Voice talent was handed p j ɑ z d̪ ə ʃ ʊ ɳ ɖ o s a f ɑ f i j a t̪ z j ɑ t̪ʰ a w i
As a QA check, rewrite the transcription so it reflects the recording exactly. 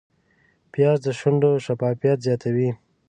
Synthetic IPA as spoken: p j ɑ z d̪ ə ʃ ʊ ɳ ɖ o ʃ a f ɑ f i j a t̪ z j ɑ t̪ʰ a w i

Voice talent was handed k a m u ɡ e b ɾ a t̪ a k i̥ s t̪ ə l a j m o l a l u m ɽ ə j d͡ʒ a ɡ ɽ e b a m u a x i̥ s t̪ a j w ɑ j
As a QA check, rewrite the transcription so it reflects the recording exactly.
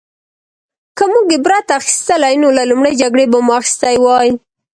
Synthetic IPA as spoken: k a m u ɡ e b ɾ a t̪ a x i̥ s t̪ ə l a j n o l a l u m ɽ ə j d͡ʒ a ɡ ɽ e b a m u a x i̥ s t̪ a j w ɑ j

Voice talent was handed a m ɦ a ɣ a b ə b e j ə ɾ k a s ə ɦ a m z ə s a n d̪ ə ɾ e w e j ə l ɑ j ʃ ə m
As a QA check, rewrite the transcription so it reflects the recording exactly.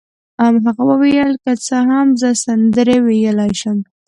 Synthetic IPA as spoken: a m ɦ a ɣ a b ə w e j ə l k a t͡s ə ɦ a m z ə s a n d̪ ə ɾ e w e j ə l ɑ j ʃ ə m

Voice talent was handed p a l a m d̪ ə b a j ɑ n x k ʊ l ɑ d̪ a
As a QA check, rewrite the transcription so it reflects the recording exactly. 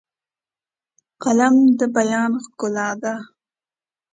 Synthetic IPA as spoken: q a l a m d̪ ə b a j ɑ n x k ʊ l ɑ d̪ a

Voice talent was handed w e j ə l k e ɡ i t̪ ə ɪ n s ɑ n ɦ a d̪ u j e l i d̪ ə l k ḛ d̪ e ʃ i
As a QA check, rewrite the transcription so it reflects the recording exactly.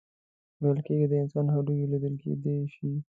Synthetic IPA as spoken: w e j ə l k e ɡ i d̪ ə ɪ n s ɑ n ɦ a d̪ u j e l i d̪ ə l k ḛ d̪ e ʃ i

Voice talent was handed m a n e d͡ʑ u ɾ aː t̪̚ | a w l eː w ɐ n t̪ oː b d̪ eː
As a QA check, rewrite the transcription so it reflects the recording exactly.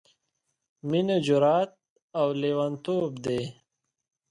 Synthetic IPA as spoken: m i n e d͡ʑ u ɾ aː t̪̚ | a w l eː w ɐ n t̪ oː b d̪ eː

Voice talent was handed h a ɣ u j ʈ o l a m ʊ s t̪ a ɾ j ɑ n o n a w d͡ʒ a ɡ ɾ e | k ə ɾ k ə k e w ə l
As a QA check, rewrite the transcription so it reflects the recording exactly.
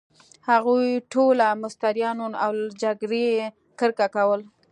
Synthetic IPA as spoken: h a ɣ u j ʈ o l a m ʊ s t̪ a ɾ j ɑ n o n a w d͡ʒ a ɡ ɾ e | k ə ɾ k a k a w ə l

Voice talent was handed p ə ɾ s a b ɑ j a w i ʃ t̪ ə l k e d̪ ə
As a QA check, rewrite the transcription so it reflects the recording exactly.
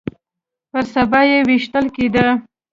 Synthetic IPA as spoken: p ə ɾ s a b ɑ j e w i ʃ t̪ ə l k e d̪ ə

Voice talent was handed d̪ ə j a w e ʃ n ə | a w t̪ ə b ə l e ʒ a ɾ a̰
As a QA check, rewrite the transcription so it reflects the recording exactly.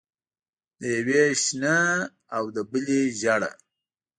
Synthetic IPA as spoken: d̪ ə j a w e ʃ n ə | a w d̪ ə b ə l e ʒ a ɽ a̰

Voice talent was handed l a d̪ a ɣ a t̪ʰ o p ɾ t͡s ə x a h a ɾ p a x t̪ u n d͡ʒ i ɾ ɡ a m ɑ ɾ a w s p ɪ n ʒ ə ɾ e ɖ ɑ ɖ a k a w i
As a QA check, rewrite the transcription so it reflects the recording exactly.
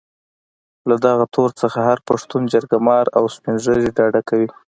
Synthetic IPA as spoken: l a d̪ a ɣ a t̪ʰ o ɾ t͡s ə x a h a ɾ p a ʂ t̪ u n d͡ʒ a ɾ ɡ a m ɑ ɾ a w s p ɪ n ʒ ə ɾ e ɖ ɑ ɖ a k a w i

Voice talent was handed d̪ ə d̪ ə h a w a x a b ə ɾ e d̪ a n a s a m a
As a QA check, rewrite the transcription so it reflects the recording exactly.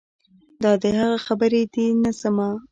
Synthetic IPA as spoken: d̪ ɑ d̪ ə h a ɣ a x a b ə ɾ e d̪ i n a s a m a

